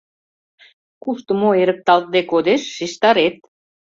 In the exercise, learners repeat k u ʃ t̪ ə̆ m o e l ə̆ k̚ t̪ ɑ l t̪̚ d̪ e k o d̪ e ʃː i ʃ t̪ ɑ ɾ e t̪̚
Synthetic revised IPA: k u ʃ t̪ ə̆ m o e ɾ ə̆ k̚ t̪ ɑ l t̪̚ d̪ e k o d̪ e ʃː i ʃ t̪ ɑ ɾ e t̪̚